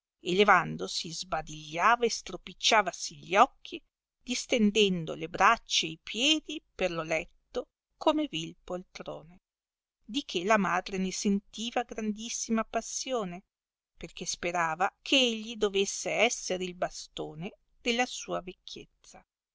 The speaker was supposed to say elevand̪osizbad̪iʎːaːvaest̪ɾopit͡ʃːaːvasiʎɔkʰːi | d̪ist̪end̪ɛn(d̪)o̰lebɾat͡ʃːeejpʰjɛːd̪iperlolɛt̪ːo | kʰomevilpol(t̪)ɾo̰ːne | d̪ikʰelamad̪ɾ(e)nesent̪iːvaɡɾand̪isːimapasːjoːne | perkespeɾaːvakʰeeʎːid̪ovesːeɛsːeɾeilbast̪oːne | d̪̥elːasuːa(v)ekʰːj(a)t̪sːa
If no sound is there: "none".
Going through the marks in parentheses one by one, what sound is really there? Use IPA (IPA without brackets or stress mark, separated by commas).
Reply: d̪, t̪, e, v, e